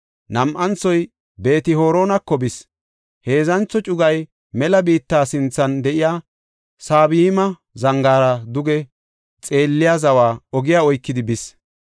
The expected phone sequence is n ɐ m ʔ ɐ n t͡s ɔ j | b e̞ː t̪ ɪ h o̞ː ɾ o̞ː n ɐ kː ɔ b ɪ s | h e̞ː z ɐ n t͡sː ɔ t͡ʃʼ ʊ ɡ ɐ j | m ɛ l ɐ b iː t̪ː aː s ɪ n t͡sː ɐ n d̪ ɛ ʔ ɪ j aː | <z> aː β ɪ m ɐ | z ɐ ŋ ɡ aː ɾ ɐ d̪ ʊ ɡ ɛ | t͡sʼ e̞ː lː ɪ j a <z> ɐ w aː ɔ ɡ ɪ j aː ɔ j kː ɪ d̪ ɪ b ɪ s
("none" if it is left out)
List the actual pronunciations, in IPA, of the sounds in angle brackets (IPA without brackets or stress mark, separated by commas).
s, z